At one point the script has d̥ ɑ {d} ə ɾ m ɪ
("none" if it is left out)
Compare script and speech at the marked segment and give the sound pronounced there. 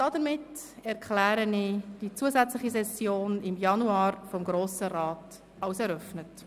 d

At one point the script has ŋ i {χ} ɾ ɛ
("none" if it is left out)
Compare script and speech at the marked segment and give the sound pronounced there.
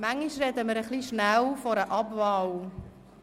ʃ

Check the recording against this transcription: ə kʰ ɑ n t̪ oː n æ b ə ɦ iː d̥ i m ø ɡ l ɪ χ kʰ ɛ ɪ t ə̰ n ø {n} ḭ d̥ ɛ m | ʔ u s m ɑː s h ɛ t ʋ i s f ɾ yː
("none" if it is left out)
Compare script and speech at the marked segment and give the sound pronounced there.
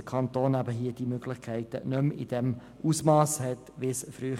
m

